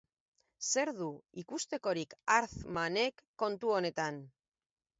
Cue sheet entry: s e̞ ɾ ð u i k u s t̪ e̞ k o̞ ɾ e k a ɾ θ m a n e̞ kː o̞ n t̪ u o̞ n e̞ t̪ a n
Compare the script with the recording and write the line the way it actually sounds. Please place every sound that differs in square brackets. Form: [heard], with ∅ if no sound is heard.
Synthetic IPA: s e̞ ɾ ð u i k u s t̪ e̞ k o̞ ɾ [i] k a ɾ θ m a n e̞ kː o̞ n t̪ u o̞ n e̞ t̪ a n